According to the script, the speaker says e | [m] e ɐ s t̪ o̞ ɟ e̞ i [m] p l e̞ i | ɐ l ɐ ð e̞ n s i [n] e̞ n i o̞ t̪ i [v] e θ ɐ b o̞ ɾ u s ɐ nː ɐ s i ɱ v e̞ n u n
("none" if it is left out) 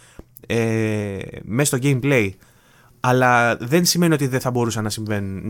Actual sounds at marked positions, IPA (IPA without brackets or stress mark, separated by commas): m, m, m, ð